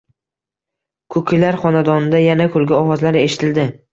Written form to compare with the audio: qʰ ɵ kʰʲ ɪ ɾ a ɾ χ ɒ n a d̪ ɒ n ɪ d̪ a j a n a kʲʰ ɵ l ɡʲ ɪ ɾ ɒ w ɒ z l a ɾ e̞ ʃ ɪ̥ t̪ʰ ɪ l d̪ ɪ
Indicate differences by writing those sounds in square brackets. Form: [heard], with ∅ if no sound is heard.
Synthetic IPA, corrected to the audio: [kʰ] ɵ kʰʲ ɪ [l] a ɾ χ ɒ n a d̪ ɒ n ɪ d̪ a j a n a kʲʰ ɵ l ɡʲ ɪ [∅] ɒ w ɒ z l a ɾ e̞ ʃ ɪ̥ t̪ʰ ɪ l d̪ ɪ